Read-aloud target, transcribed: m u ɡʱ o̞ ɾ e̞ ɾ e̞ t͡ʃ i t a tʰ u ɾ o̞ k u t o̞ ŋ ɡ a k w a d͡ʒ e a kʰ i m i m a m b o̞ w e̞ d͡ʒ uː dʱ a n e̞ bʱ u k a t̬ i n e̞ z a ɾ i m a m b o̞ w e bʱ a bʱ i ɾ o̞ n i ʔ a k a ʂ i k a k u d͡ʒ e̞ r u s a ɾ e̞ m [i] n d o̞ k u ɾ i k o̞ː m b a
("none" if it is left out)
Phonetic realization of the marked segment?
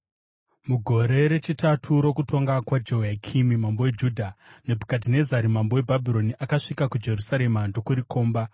a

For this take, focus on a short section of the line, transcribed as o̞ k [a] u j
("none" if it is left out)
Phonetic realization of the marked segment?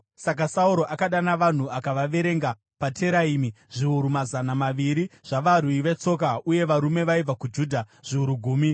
a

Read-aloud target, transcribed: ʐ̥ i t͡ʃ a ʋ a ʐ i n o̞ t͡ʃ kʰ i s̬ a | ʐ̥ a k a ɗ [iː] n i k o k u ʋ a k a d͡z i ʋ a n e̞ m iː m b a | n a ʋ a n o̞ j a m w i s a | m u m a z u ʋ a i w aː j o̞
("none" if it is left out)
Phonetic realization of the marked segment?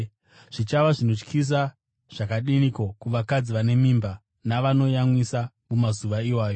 i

